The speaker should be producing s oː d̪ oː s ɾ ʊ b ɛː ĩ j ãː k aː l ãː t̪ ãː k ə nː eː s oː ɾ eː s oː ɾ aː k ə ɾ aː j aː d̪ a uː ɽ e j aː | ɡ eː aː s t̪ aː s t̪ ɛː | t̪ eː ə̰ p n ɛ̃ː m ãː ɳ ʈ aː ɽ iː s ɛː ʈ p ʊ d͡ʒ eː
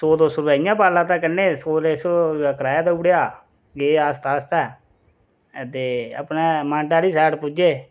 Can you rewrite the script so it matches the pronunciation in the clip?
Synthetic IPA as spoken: s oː d̪ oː s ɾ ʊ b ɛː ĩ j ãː p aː l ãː t̪ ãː k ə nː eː s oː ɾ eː s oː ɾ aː k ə ɾ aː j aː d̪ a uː ɽ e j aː | ɡ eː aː s t̪ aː s t̪ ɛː | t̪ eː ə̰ p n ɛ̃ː m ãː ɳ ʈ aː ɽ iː s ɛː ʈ p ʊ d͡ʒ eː